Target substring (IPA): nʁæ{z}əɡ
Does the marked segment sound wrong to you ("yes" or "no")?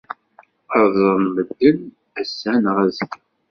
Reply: no